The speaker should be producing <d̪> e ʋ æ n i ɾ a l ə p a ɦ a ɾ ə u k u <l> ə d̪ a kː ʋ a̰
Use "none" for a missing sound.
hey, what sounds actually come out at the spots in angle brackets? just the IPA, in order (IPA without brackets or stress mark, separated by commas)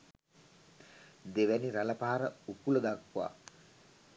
d̪, l